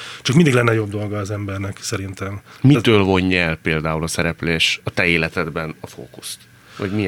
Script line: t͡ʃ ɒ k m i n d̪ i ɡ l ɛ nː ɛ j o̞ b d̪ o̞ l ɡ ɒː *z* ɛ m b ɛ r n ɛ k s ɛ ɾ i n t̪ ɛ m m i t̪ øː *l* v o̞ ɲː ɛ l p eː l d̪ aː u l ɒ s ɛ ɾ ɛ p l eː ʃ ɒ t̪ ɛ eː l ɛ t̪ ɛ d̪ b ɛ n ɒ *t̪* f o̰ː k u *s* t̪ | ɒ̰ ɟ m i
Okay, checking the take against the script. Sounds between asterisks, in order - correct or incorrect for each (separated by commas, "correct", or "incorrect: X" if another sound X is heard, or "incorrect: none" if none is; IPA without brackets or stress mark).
correct, correct, incorrect: none, correct